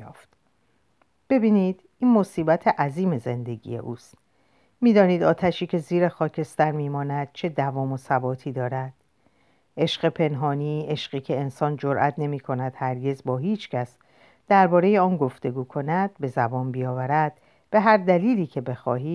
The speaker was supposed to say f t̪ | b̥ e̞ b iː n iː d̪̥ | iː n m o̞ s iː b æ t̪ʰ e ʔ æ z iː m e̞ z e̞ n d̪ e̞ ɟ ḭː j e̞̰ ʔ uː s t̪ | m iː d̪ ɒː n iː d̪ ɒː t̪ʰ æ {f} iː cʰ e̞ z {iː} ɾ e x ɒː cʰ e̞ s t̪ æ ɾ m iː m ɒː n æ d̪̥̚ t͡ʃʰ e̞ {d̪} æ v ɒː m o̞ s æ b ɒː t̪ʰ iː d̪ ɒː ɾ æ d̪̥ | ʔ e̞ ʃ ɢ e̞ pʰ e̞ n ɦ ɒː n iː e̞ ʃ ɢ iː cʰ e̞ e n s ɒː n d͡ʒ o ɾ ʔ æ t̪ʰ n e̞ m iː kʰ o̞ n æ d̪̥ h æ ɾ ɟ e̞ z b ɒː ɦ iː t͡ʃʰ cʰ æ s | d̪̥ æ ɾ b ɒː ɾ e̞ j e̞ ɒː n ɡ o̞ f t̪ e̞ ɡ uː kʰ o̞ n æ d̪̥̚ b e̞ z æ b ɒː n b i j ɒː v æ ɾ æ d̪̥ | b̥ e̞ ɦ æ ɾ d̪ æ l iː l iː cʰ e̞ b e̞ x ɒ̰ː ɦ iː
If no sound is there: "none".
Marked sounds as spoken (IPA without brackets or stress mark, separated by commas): ʃ, iː, d̪